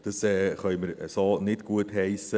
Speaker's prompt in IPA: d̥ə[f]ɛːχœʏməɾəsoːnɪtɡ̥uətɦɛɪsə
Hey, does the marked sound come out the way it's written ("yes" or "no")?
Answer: no